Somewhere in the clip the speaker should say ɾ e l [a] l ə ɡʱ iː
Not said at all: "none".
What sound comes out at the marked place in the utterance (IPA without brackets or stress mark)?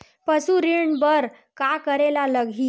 a